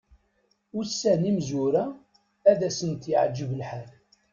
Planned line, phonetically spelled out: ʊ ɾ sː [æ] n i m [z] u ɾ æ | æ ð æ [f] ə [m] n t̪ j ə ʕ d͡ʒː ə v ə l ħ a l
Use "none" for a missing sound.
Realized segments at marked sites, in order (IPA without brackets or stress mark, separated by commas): æ, z, s, none